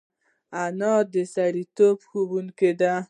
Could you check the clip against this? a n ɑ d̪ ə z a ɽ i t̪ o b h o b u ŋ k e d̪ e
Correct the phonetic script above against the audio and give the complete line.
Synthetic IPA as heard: a n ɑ d̪ ə s a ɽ i t̪ o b x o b u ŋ k e d̪ a

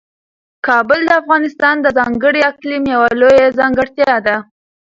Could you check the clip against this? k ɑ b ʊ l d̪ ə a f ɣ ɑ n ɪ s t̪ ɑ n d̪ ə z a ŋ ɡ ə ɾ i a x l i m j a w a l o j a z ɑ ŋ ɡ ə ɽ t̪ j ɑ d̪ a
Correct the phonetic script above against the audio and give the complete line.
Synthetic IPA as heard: k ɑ b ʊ l d̪ ə a f ɣ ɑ n ɪ s t̪ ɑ n d̪ ə z ɑ ŋ ɡ ə ɽ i a k l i m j a w a l o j a z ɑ ŋ ɡ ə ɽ t̪ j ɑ d̪ a

